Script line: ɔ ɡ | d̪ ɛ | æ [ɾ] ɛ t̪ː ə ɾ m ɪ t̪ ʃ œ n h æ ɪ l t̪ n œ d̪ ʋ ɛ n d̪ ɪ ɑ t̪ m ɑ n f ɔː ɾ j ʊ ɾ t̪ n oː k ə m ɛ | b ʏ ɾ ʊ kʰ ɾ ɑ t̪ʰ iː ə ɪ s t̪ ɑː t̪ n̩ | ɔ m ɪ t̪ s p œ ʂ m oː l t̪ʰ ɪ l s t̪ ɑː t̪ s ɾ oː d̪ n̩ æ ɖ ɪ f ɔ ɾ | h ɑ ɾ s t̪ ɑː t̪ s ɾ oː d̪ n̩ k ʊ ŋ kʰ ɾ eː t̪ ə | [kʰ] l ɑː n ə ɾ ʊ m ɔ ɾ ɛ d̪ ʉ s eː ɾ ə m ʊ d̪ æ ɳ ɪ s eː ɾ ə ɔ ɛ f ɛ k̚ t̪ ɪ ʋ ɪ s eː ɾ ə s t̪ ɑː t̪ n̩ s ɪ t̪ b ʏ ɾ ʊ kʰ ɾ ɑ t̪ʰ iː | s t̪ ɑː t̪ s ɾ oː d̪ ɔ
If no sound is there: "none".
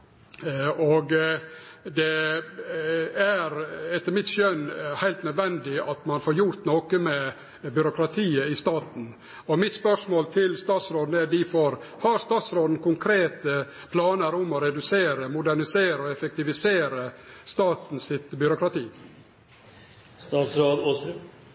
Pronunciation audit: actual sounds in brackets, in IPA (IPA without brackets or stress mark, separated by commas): ɾ, pʰ